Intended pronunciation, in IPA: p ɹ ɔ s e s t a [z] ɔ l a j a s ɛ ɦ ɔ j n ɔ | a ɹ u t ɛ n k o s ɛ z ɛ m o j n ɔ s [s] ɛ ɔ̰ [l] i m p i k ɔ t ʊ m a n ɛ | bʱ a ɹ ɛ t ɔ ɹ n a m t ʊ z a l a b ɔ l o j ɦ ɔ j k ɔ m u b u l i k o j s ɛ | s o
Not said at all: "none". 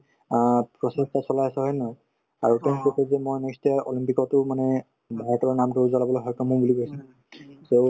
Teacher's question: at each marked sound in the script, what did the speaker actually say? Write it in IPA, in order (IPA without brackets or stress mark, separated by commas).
s, t, l